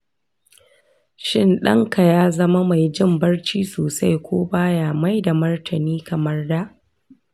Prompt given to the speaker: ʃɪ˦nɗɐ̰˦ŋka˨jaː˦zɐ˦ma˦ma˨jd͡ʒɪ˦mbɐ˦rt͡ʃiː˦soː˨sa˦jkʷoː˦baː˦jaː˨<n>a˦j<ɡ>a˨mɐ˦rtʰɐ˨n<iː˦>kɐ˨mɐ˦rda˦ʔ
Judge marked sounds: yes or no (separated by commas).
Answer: no, no, yes